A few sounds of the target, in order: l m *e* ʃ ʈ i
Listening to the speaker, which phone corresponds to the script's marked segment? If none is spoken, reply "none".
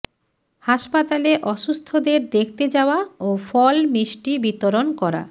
i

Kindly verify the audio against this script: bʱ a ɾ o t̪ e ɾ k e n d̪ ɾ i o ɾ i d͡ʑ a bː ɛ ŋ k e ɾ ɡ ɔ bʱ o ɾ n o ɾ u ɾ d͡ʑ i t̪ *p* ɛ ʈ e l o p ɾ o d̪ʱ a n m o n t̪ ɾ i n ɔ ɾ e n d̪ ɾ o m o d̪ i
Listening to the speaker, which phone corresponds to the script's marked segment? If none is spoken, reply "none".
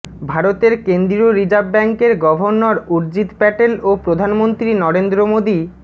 p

